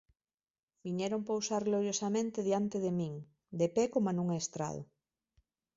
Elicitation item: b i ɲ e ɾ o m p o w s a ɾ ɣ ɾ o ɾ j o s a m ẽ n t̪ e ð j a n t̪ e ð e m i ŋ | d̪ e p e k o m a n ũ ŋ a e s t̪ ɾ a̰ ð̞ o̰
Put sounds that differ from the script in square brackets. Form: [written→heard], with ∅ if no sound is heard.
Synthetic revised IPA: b i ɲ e ɾ o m p o w s a ɾ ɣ [ɾ→l] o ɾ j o s a m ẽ n t̪ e ð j a n t̪ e ð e m i ŋ | d̪ e p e k o m a n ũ ŋ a e s t̪ ɾ a̰ ð̞ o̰